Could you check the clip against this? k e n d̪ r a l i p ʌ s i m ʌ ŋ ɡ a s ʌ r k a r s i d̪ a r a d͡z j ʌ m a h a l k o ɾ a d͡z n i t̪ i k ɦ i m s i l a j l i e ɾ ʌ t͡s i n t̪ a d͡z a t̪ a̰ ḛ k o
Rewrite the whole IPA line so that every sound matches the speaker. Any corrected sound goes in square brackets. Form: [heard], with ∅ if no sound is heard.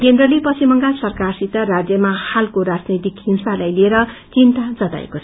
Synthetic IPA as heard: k e n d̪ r [ʌ] l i p ʌ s i m ʌ ŋ ɡ a s ʌ r k a r s i [t̪] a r a d͡z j ʌ m a h a l k o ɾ a d͡z n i t̪ i k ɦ i m s [a] l a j l i e ɾ ʌ t͡s i n t̪ a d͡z [ʌ] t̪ a̰ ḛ k o